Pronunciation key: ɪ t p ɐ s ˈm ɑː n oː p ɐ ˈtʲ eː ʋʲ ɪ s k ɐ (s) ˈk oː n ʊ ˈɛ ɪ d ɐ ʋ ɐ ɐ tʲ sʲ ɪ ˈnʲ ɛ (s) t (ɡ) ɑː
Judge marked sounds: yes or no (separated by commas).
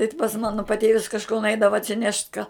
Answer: no, no, no